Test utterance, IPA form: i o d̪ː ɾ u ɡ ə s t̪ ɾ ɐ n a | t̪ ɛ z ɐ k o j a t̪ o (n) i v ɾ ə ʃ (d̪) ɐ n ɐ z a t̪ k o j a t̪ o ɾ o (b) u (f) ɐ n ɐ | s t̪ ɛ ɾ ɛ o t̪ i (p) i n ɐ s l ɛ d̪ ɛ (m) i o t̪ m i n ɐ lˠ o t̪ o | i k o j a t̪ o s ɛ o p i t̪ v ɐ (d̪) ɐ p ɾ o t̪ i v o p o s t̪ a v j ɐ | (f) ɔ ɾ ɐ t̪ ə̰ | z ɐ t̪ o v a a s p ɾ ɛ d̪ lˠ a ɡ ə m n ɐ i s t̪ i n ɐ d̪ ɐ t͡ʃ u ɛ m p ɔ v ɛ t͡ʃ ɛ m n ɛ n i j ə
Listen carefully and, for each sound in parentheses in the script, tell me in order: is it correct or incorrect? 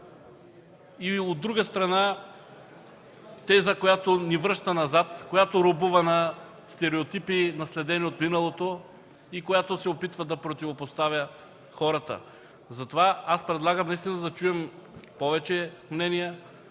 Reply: correct, incorrect, correct, incorrect, correct, incorrect, correct, incorrect

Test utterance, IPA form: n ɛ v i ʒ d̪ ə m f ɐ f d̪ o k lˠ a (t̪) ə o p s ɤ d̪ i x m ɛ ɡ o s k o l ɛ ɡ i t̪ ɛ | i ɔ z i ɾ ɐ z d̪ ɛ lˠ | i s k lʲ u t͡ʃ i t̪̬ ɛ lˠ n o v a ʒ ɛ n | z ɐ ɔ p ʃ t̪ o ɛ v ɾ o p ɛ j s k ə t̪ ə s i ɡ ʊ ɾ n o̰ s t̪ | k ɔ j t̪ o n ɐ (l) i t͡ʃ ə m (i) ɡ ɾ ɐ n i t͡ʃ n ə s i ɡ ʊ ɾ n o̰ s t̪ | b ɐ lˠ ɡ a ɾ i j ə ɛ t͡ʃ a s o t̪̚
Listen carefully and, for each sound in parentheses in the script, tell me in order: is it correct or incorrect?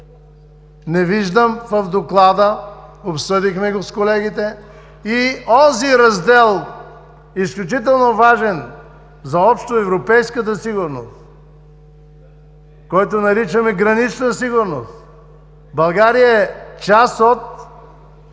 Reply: incorrect, incorrect, incorrect

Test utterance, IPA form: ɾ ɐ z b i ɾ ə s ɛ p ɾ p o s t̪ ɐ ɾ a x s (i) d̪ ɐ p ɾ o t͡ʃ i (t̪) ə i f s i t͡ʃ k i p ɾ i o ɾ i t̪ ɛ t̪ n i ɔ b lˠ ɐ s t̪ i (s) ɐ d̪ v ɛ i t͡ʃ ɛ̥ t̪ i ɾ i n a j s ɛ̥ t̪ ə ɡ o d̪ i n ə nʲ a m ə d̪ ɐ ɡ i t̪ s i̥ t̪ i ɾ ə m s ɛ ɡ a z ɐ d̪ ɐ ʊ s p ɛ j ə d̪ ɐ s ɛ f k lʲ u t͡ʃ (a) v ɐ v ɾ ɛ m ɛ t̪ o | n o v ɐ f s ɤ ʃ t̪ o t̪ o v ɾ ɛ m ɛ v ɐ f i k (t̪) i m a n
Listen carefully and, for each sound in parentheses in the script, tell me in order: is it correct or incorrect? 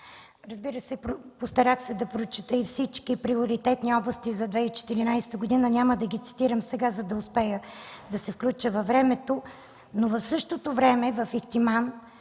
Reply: incorrect, correct, incorrect, incorrect, correct

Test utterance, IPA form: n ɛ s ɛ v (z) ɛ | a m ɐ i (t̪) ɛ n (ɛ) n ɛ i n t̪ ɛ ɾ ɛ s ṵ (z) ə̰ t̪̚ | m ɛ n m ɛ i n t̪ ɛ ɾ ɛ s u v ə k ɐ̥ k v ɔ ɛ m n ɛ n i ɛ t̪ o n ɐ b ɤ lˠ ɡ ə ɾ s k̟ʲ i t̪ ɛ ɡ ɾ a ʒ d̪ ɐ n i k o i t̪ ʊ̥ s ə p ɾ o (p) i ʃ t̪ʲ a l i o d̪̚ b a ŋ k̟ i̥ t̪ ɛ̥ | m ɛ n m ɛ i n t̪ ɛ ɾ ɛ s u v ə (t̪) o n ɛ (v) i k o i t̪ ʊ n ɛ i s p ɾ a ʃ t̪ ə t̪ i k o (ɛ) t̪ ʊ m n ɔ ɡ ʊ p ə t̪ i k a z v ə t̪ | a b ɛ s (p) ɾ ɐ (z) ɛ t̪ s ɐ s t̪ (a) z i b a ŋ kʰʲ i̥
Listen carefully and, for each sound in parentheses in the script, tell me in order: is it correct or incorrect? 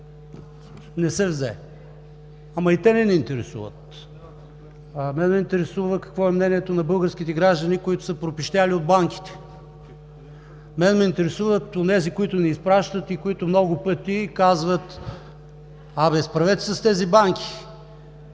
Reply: correct, correct, correct, incorrect, correct, correct, incorrect, incorrect, correct, incorrect, incorrect

